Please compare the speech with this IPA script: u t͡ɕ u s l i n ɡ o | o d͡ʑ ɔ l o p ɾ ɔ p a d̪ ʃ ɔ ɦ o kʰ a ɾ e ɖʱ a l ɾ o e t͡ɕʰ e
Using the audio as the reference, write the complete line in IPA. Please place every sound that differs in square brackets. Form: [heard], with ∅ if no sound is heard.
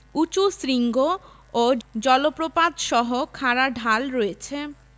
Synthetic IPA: u t͡ɕ u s [ɾ] i [ŋ] ɡ o | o d͡ʑ ɔ l o p ɾ [o] p a d̪ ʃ ɔ ɦ o kʰ a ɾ [a] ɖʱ a l ɾ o e t͡ɕʰ e